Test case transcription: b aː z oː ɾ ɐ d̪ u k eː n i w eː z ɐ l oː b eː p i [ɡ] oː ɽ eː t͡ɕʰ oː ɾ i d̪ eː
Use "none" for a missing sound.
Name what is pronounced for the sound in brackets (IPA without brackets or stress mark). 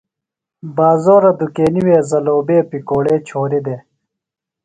k